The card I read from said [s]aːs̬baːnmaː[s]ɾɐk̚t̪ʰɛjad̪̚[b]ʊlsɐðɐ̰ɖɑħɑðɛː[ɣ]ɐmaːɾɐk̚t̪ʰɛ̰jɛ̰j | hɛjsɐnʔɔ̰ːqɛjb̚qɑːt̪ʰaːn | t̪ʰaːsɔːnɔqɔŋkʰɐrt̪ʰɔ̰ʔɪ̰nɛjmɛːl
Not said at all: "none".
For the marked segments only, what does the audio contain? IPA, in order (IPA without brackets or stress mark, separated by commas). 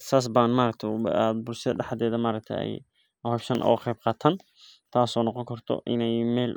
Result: s, none, b, ð